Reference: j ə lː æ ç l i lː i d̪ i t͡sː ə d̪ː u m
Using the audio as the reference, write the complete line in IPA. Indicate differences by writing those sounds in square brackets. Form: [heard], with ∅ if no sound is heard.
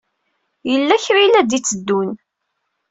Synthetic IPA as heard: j ə lː æ ç [ɾ] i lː [æ] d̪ i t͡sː ə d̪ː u [n]